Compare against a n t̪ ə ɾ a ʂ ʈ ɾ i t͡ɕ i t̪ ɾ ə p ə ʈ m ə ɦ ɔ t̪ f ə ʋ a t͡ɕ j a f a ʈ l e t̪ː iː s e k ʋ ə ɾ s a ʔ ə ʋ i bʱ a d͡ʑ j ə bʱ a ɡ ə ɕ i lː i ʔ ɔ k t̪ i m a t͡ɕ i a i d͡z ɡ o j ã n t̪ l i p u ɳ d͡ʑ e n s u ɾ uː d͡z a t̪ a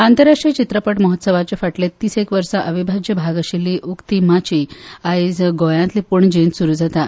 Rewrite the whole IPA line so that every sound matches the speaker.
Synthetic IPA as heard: a n t̪ ə ɾ a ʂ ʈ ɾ i t͡ɕ i t̪ ɾ ə p ə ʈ m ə ɦ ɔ t̪ s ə ʋ a t͡ɕ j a f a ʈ l e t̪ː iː s e k ʋ ə ɾ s a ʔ ə ʋ i bʱ a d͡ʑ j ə bʱ a ɡ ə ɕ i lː i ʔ u k t̪ i m a t͡ɕ i a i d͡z ɡ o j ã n t̪ l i p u ɳ d͡ʑ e n s u ɾ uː d͡z a t̪ a